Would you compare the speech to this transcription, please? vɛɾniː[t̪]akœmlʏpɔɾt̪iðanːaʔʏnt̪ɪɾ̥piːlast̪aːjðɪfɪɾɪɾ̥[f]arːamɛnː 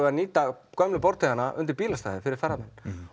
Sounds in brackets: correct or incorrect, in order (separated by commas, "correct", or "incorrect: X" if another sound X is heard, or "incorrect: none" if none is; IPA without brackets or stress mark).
correct, incorrect: θ